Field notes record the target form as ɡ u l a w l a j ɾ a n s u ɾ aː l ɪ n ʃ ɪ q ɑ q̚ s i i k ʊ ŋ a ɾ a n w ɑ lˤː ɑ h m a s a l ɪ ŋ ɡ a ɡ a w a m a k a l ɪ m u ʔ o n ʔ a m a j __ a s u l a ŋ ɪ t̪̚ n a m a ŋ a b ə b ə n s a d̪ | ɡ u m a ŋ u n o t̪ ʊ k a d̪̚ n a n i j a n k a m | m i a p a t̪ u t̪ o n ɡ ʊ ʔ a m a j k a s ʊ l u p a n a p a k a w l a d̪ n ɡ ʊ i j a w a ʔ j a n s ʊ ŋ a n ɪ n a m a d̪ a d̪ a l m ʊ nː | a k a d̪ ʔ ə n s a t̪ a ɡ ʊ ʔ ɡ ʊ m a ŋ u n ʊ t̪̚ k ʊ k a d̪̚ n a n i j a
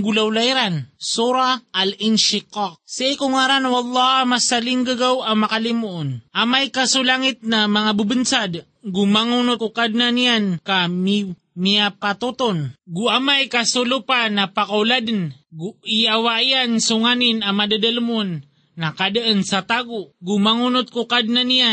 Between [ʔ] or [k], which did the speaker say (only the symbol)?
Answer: k